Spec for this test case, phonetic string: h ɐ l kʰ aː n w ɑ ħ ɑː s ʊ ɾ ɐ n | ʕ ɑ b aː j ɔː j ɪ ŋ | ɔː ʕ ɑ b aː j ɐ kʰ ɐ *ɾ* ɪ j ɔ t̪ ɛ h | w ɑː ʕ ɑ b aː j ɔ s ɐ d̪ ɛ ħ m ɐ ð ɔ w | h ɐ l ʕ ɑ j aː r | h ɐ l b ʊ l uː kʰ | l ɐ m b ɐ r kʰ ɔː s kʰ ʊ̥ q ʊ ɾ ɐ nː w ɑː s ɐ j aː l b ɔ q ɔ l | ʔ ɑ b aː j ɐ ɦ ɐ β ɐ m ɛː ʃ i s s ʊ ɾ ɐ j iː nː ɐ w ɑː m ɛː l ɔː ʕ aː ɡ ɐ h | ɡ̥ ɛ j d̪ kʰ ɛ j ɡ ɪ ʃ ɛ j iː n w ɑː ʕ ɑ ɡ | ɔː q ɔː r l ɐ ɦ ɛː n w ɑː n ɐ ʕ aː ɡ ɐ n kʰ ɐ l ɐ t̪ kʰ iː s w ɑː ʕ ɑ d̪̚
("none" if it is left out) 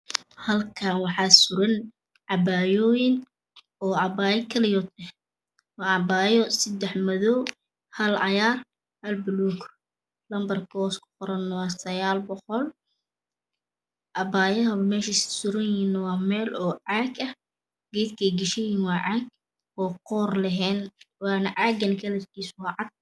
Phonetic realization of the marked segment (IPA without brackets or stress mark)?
l